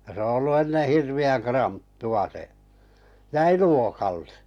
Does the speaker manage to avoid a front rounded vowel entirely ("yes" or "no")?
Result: yes